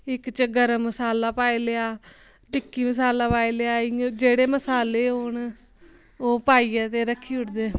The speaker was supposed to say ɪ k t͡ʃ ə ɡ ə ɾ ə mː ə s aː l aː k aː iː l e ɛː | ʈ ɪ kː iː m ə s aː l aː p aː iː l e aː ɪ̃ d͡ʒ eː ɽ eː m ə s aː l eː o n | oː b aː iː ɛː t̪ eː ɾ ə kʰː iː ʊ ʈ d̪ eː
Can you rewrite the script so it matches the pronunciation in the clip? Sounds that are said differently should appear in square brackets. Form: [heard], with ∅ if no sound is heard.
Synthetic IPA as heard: ɪ k t͡ʃ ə ɡ ə ɾ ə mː ə s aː l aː [p] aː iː l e [aː] | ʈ ɪ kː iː m ə s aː l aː p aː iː l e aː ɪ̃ d͡ʒ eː ɽ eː m ə s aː l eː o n | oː [p] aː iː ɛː t̪ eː ɾ ə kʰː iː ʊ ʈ d̪ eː